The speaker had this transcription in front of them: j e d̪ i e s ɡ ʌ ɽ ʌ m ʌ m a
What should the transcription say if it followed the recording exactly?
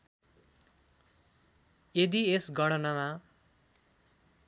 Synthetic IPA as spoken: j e d̪ i e s ɡ ʌ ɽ ʌ n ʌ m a